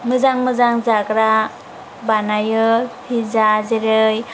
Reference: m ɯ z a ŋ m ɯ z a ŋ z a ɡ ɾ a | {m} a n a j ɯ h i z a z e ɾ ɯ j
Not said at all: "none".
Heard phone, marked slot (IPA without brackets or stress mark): b